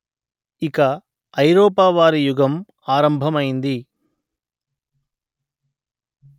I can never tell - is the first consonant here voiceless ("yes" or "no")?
yes